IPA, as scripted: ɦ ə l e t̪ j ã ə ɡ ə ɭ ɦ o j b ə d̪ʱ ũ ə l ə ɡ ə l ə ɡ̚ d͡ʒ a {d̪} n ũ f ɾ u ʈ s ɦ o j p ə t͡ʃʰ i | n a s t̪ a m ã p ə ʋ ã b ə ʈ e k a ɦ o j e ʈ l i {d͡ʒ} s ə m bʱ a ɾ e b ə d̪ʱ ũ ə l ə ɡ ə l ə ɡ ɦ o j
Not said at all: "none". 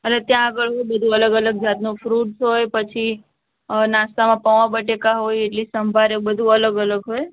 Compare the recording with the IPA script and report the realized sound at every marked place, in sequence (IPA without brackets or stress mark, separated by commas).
t̪, none